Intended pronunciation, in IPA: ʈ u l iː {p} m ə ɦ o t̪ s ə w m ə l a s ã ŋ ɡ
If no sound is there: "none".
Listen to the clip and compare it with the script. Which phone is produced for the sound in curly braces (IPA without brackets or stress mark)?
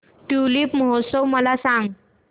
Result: p